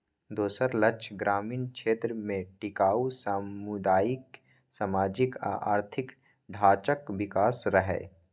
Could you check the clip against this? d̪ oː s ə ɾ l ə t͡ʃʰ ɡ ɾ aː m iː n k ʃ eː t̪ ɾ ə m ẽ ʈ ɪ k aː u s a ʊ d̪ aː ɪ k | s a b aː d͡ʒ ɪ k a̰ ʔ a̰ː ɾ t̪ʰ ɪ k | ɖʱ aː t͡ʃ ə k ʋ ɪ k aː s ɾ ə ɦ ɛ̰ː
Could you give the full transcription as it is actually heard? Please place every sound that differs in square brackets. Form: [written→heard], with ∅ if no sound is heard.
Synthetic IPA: d̪ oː s ə ɾ l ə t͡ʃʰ ɡ ɾ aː m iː n k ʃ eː t̪ ɾ ə m ẽ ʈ ɪ k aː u s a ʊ d̪ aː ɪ k | s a [b→m] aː d͡ʒ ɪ k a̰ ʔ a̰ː ɾ t̪ʰ ɪ k | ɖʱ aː t͡ʃ ə k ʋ ɪ k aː s ɾ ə ɦ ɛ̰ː